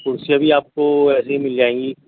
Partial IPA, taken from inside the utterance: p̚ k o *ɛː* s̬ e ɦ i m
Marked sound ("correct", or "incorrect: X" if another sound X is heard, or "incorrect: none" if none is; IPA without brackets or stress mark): correct